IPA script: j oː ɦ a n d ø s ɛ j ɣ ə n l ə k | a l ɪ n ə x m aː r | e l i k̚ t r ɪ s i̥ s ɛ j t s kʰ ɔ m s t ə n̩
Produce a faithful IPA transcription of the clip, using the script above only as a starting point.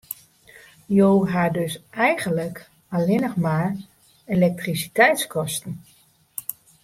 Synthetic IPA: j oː ɦ a d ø s ɛ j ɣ ə n l ə k | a l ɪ n ə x m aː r | e l ɛ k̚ t r i s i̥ t ɛ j t s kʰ ɔ s t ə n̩